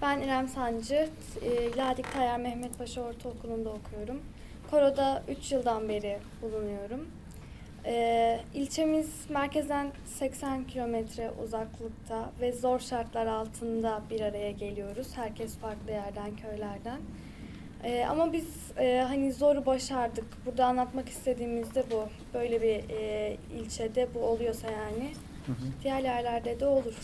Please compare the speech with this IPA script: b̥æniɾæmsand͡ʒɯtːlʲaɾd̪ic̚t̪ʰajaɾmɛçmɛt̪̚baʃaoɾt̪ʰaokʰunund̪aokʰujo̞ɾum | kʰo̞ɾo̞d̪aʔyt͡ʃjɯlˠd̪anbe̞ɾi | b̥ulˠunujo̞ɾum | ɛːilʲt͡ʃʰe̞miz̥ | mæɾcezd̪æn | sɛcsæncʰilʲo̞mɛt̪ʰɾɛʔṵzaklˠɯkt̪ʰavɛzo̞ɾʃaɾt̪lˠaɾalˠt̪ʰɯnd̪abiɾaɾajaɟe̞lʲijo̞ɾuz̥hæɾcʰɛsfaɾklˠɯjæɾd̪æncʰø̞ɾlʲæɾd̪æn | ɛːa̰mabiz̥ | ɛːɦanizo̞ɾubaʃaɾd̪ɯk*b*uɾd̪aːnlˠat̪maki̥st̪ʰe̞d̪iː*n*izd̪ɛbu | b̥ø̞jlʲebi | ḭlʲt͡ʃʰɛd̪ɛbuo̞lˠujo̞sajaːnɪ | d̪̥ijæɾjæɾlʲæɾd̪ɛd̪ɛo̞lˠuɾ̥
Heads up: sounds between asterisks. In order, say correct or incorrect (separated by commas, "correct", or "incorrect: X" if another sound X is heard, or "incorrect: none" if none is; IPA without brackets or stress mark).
correct, incorrect: m